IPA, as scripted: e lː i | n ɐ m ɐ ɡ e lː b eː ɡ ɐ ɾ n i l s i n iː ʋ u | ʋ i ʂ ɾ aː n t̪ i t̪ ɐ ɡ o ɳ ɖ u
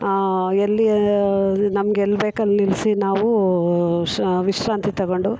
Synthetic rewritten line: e lː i | n ɐ m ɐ ɡ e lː b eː k ɐ l n i l s i n aː ʋ u | ʋ i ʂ ɾ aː n t̪ i t̪ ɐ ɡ o ɳ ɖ u